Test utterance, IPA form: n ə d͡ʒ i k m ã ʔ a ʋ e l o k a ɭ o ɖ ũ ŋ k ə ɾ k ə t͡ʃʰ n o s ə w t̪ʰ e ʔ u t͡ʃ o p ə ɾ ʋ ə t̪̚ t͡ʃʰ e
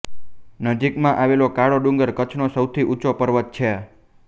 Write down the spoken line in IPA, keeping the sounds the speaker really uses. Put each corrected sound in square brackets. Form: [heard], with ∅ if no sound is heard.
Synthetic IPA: n ə d͡ʒ i k m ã ʔ a ʋ e l o k a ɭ o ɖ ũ ŋ [ɡ] ə ɾ k ə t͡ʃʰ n o s ə w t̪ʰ [i] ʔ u t͡ʃ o p ə ɾ ʋ ə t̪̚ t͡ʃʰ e